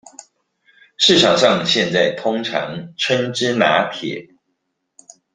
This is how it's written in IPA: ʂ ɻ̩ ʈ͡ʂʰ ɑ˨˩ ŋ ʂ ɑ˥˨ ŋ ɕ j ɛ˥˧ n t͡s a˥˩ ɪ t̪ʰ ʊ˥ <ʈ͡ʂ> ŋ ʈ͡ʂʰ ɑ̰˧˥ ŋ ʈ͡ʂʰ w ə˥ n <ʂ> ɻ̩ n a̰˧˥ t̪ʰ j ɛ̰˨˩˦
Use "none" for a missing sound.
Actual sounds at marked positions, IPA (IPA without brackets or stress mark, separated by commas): none, ʈ͡ʂ